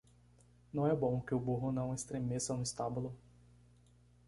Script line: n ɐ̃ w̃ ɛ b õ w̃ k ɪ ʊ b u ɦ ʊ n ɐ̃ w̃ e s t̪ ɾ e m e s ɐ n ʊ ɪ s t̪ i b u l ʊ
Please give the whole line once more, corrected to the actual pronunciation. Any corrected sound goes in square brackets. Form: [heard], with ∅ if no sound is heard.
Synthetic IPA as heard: n ɐ̃ w̃ ɛ b õ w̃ k ɪ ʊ b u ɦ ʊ n ɐ̃ w̃ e s t̪ ɾ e m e s ɐ n ʊ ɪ s t̪ [a] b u l ʊ